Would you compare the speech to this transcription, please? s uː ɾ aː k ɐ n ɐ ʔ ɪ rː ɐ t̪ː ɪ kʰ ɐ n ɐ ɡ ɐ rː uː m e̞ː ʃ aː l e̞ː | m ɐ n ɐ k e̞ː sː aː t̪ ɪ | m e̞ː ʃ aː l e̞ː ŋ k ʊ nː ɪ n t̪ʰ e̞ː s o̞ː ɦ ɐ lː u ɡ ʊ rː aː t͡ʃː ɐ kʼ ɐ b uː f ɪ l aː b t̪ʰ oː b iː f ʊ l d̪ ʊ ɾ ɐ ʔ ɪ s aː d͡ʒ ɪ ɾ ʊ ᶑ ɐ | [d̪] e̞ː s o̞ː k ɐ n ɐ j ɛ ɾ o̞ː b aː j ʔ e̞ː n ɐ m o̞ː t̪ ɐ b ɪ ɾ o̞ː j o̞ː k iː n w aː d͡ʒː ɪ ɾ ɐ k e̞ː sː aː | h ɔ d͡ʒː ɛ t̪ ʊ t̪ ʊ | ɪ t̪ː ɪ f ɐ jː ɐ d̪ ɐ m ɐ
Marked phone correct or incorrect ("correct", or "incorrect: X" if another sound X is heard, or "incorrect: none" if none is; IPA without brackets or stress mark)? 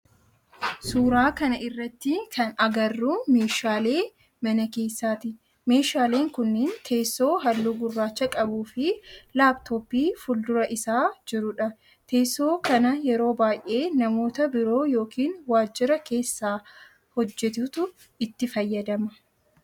incorrect: t̪